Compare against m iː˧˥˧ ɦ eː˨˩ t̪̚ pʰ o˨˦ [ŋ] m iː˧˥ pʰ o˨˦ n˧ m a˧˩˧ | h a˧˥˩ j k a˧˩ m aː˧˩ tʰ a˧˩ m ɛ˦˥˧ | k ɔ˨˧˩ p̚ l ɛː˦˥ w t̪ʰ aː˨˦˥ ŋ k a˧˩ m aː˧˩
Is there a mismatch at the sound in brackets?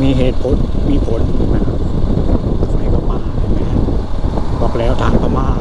yes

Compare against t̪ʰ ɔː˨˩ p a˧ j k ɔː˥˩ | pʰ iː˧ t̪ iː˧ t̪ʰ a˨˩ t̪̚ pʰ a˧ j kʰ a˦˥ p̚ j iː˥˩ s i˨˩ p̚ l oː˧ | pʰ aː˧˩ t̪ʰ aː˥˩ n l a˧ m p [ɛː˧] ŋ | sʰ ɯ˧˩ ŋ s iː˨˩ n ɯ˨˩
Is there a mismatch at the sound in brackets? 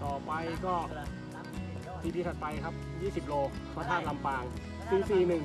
yes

